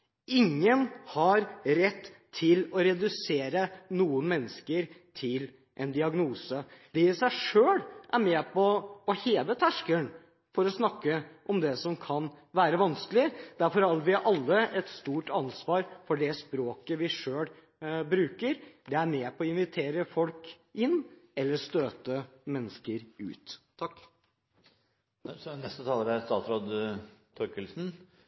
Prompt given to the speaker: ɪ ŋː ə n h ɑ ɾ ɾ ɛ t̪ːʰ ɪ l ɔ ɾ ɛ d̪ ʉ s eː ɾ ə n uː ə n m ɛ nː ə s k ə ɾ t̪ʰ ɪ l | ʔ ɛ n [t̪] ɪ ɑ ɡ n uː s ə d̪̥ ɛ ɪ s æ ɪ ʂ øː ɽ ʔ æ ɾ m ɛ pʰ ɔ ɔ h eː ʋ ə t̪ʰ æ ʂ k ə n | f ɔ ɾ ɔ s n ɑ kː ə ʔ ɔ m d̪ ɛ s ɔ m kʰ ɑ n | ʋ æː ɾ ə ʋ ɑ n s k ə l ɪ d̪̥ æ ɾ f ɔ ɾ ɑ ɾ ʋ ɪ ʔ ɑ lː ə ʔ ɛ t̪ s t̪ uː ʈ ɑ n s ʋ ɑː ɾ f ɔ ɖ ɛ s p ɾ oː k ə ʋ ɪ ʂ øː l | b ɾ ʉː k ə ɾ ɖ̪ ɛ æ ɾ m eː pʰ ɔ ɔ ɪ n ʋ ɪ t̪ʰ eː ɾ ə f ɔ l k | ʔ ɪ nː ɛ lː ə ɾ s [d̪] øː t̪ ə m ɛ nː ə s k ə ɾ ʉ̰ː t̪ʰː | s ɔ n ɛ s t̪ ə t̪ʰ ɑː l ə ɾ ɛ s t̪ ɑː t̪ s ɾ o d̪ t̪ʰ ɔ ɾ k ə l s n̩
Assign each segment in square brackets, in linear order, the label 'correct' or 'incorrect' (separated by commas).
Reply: incorrect, incorrect